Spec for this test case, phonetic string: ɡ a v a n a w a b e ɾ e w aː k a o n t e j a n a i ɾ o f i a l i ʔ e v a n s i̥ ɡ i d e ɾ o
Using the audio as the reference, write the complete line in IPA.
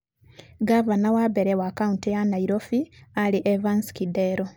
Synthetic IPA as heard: ɡ a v a n a w a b e ɾ e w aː k a u n t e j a n a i ɾ o f i a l i ʔ e v a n s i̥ k i d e ɾ o